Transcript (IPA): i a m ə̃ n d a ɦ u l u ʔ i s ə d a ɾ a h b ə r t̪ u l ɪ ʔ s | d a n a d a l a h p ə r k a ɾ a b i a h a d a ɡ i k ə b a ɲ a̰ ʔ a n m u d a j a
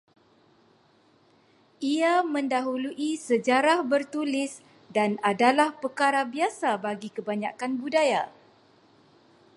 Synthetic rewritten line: i a m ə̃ n d a ɦ u l u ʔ i s ə d͡ʒ a ɾ a h b ə r t̪ u l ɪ s | d a n a d a l a h p ə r k a ɾ a b i a s a b a ɡ i k ə b a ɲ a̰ k a n b u d a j a